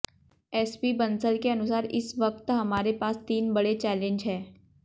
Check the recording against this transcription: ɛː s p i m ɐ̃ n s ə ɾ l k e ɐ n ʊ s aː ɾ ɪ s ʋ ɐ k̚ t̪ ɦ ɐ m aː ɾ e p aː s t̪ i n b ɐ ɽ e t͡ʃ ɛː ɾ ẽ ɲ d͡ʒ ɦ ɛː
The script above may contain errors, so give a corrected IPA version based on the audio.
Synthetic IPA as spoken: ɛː s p i b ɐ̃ n s ə l k e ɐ n ʊ s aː ɾ ɪ s ʋ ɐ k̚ t̪ ɦ ɐ m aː ɾ e p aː s t̪ iː n b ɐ ɽ e t͡ʃ ɛː l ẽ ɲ d͡ʒ ɦ ɛː

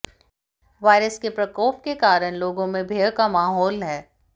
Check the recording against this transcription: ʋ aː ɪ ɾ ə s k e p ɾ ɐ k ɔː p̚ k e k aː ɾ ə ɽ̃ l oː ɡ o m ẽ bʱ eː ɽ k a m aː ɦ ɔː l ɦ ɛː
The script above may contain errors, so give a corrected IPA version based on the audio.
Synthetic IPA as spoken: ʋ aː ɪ ɾ ə s k e p ɾ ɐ k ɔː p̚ k e k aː ɾ ə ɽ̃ l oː ɡ õ m ẽ bʱ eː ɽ k a m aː ɦ ɔː l ɦ ɛː

